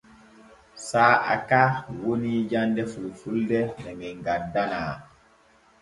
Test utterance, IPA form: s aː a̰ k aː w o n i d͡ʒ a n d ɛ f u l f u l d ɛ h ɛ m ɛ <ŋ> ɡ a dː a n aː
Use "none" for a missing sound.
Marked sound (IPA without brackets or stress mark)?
ŋ